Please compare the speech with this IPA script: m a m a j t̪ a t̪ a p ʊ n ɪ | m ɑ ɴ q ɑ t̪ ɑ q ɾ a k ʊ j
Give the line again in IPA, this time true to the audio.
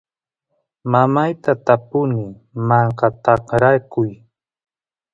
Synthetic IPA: m a m a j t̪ a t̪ a p ʊ n ɪ | m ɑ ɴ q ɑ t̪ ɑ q ɾ a k ʊ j